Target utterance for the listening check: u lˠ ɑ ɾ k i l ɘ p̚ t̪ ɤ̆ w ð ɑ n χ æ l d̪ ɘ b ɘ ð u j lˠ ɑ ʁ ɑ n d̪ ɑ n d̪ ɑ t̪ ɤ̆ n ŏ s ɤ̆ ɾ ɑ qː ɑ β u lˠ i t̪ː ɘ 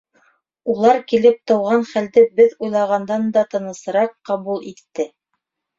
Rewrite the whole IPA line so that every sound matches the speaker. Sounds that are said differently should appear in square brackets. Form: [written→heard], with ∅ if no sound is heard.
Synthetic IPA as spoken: u lˠ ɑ ɾ k i l ɘ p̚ t̪ ɤ̆ w [ð→ʁ] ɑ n χ æ l d̪ ɘ b ɘ ð u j lˠ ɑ ʁ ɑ n d̪ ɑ n d̪ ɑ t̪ ɤ̆ n [ŏ→ɤ̆] s ɤ̆ ɾ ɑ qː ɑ β u lˠ i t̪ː ɘ